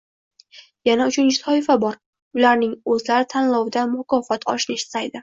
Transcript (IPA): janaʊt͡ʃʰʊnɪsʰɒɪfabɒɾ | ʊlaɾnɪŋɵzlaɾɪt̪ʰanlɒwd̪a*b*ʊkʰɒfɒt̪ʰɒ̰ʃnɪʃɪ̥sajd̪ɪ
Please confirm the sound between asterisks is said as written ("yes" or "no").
no